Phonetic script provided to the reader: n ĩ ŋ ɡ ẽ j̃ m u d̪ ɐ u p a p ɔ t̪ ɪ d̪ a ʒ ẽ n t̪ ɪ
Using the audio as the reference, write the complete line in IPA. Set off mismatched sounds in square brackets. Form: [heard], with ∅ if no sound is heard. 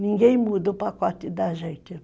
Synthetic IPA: n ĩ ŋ ɡ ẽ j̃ m u d̪ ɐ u p a [k] ɔ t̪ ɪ d̪ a ʒ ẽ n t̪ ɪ